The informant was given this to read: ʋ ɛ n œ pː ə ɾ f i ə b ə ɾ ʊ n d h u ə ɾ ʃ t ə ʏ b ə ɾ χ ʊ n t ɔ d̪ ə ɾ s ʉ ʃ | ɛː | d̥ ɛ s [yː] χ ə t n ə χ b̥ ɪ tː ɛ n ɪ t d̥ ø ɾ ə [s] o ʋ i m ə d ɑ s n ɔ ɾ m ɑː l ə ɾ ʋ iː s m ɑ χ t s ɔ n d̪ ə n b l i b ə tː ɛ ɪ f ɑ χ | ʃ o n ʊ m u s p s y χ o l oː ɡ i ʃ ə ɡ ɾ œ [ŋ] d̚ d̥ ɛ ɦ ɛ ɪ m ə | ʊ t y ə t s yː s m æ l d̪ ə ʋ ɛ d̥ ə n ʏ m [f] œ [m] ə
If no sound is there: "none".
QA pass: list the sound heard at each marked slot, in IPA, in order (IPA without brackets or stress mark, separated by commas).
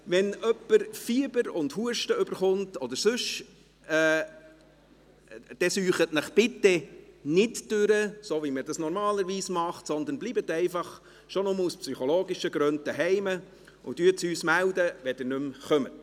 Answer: yː, s, n, χ, m